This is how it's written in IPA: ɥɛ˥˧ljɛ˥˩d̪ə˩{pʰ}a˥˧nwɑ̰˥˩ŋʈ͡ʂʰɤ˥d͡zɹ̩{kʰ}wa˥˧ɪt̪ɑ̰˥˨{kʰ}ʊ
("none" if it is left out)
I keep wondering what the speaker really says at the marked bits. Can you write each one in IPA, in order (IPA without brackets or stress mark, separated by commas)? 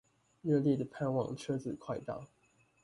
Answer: pʰ, kʰ, none